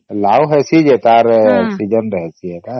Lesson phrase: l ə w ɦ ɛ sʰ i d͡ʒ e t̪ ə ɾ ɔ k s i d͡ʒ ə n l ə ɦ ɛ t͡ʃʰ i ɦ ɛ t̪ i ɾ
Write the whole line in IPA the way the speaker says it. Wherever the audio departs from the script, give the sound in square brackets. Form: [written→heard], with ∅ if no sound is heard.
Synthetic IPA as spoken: l [ə→a] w ɦ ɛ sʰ i d͡ʒ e t̪ [ə→a] ɾ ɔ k s i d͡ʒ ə n [l→ɾ] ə ɦ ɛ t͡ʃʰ i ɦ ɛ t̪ [i→a] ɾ

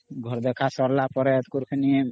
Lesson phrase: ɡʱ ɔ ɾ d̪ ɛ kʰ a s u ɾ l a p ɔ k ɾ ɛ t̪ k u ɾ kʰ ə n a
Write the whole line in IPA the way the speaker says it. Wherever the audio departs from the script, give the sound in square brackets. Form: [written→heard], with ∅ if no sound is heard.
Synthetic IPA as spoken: ɡʱ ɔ ɾ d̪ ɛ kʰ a s [u→ɔ] ɾ l a p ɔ [k→∅] ɾ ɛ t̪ k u ɾ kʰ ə n [a→i]

